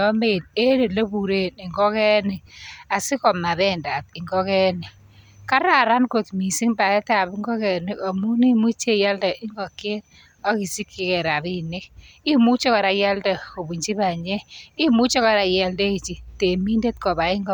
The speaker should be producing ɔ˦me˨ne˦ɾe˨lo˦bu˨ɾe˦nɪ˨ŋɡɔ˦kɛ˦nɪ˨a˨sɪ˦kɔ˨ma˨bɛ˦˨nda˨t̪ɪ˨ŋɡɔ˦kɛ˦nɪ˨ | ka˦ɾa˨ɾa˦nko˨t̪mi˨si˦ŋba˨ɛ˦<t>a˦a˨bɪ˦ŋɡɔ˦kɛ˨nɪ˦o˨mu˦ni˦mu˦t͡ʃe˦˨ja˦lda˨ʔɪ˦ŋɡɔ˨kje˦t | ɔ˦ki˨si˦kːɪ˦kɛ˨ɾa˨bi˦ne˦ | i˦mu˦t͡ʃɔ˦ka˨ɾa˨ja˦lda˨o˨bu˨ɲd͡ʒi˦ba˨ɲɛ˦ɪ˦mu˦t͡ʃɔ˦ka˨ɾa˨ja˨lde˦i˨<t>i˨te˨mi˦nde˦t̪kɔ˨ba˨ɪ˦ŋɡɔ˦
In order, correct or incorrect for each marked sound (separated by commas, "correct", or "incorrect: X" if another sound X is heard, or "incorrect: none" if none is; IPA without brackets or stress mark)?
correct, incorrect: t͡ʃ